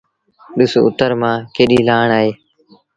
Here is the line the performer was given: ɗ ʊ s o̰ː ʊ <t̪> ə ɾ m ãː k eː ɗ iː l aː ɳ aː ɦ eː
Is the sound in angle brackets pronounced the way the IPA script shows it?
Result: yes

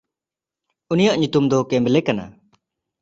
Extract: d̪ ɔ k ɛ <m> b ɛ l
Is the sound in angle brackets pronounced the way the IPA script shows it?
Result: yes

